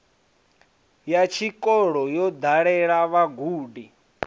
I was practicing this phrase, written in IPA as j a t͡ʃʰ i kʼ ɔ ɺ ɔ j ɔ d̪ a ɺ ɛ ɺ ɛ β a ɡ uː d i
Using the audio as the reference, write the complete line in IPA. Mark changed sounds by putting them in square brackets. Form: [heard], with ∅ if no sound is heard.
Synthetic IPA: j a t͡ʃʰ i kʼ ɔ ɺ ɔ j ɔ d̪ a ɺ ɛ ɺ [a] β a ɡ uː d i